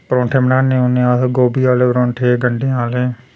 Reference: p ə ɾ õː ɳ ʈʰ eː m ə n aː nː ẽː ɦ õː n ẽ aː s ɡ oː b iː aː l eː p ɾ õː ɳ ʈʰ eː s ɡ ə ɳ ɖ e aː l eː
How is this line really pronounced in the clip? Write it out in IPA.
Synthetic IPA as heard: p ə ɾ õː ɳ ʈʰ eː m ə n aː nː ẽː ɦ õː n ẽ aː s ɡ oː b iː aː l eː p ɾ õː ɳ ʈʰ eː ɡ ə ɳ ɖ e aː l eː